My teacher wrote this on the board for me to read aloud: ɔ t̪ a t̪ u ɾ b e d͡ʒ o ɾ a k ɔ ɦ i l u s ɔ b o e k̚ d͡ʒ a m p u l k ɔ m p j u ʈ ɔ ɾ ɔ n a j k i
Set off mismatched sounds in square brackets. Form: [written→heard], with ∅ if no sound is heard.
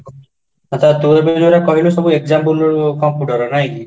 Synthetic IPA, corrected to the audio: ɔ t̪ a t̪ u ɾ b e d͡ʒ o ɾ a k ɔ ɦ i l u s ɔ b [o→u] e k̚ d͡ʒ a m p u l k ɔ m p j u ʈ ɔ ɾ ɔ n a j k i